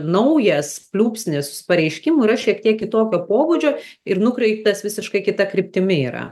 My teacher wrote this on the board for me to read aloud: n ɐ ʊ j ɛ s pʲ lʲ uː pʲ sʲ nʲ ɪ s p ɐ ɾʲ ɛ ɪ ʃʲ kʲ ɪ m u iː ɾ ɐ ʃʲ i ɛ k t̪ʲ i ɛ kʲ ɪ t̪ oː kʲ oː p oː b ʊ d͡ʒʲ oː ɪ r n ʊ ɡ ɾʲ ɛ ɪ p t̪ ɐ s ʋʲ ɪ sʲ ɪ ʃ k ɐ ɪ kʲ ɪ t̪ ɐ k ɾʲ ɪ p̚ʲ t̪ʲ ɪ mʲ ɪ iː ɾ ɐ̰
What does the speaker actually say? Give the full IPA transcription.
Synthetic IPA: n ɐ ʊ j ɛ s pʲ lʲ uː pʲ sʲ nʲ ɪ s p ɐ ɾʲ ɛ ɪ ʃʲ kʲ ɪ m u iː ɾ ɐ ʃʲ i ɛ k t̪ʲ i ɛ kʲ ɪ t̪ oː kʲ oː p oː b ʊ d͡ʒʲ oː ɪ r n ʊ k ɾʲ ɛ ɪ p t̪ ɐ s ʋʲ ɪ sʲ ɪ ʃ k ɐ ɪ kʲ ɪ t̪ ɐ k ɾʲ ɪ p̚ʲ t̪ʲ ɪ mʲ ɪ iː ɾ ɐ̰